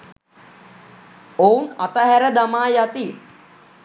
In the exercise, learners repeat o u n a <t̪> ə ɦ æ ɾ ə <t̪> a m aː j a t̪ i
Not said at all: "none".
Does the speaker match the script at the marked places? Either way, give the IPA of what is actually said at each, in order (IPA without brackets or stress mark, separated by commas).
t̪, d̪